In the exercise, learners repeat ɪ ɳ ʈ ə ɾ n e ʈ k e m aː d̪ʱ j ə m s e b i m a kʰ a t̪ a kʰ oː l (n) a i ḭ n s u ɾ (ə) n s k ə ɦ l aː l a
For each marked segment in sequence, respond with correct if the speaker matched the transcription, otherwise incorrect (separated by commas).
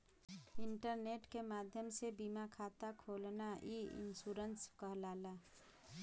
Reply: correct, correct